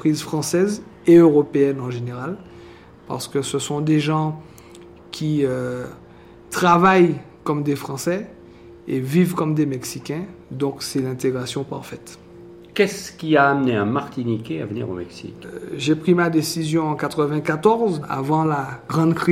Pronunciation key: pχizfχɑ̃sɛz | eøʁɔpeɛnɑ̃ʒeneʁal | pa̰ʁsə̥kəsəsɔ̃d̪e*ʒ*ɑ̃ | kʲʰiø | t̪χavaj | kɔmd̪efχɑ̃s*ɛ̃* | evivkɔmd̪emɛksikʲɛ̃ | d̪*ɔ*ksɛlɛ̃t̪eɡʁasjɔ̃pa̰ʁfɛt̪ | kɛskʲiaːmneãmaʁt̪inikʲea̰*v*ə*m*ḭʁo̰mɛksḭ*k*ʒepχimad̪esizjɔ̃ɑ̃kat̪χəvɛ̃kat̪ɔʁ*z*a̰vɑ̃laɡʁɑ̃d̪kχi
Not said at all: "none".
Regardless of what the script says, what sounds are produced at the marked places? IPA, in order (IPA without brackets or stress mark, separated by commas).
ʒ, ɛ, ɔ̃, v, n, k, z